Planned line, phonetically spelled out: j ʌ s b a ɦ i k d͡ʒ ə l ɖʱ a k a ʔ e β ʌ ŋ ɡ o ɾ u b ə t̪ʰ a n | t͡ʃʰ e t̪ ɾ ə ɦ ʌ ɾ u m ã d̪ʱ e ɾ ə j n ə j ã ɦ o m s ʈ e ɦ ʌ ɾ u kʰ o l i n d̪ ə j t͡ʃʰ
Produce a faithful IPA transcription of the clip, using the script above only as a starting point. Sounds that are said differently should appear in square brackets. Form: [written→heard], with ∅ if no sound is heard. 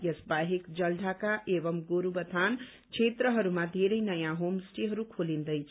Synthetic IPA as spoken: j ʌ s b a ɦ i k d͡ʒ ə l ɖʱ a k a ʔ e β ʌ [ŋ→m] ɡ o ɾ u b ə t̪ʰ a n | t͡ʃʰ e t̪ ɾ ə ɦ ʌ ɾ u m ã d̪ʱ e ɾ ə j n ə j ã ɦ o m s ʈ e ɦ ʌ ɾ u kʰ o l i n d̪ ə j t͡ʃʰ